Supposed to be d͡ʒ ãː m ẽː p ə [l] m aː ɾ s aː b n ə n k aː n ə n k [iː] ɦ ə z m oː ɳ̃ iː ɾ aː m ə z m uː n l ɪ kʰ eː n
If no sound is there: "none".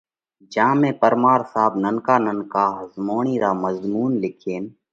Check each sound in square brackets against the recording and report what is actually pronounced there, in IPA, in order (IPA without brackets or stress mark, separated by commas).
ɾ, aː